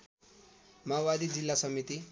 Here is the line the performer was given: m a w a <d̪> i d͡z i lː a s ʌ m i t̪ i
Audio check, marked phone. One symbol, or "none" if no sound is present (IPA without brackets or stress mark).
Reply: d̪